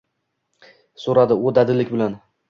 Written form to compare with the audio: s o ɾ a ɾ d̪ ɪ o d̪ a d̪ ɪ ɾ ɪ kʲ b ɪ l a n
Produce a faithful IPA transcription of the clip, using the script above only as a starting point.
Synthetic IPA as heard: s o ɾ a d̪ ɪ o d̪ a d̪ ɪ l ɪ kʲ b ɪ l a n